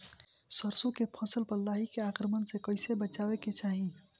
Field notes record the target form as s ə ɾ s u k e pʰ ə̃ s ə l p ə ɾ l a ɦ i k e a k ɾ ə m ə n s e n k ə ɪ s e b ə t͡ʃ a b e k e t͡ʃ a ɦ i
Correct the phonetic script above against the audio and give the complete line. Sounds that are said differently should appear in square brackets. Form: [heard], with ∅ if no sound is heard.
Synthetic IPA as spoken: s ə ɾ s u k e pʰ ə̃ s ə l p ə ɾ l a ɦ i k e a k ɾ ə m ə n s e [∅] k ə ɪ s e b ə t͡ʃ a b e k e t͡ʃ a ɦ i